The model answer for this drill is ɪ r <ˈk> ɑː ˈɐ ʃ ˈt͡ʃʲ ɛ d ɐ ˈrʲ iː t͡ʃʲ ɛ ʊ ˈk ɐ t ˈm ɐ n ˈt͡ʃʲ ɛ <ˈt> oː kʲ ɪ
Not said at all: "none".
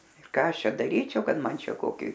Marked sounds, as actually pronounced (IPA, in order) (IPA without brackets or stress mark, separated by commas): k, k